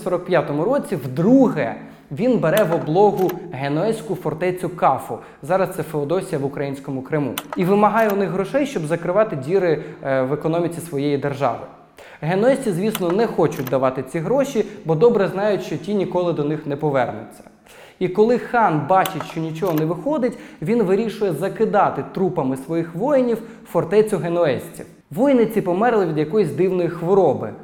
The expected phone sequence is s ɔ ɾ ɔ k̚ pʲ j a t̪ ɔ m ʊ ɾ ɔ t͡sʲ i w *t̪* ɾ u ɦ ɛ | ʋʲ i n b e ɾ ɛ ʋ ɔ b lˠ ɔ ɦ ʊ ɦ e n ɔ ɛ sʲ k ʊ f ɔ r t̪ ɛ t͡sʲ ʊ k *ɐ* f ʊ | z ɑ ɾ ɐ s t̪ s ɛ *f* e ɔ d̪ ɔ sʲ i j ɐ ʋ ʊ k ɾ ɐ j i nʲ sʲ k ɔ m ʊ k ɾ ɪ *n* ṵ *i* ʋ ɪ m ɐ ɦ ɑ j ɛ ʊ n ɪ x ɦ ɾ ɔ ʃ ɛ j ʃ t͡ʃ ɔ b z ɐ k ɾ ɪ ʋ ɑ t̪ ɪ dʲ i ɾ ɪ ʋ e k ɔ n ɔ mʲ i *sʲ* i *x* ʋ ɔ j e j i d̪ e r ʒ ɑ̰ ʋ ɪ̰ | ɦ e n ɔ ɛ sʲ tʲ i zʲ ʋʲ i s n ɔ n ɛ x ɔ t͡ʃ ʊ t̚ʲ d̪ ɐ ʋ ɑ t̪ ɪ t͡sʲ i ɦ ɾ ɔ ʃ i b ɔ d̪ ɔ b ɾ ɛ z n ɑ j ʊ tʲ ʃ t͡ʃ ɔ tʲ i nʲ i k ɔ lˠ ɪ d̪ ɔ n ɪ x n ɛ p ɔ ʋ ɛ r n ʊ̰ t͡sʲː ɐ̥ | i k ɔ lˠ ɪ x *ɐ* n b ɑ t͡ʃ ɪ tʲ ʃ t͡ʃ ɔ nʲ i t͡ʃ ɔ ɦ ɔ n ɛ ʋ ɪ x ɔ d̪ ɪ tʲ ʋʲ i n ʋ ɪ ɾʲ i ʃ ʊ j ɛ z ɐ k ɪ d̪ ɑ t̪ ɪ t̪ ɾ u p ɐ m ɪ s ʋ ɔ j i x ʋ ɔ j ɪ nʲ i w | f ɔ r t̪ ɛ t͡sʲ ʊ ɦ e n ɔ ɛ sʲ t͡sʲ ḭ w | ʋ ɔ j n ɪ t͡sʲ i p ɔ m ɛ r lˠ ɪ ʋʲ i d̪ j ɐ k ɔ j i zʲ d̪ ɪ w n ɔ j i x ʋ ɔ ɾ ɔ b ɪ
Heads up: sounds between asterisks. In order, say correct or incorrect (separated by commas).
incorrect, incorrect, correct, incorrect, correct, incorrect, incorrect, incorrect